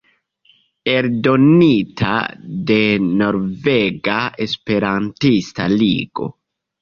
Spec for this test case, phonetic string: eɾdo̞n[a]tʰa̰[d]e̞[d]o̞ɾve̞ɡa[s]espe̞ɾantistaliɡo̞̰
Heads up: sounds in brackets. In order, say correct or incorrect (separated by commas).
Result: incorrect, correct, incorrect, incorrect